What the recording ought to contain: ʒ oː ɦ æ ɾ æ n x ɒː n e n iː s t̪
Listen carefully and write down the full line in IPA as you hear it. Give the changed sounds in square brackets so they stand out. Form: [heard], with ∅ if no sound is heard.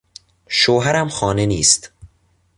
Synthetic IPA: [ʃ] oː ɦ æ ɾ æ [m] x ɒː n e n iː s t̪